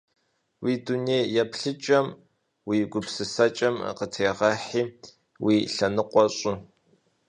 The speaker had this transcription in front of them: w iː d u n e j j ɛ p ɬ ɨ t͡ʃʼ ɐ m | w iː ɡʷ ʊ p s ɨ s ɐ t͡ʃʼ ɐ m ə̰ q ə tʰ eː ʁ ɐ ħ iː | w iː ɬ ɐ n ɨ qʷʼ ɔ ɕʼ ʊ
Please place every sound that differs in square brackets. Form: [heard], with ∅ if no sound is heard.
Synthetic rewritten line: w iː d u n e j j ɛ p ɬ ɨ t͡ʃʼ ɐ m | w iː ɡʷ ʊ p s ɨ s ɐ t͡ʃʼ ɐ m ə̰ q ə tʰ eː ʁ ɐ ħ iː | w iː ɬ ɐ n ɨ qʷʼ ɔ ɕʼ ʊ